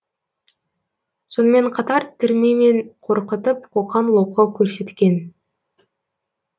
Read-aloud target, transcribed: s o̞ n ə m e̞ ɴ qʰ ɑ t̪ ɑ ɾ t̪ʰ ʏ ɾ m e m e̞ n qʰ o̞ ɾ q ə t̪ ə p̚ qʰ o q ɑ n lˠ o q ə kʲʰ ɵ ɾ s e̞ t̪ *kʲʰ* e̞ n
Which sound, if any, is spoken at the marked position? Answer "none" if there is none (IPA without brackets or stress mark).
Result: kʲ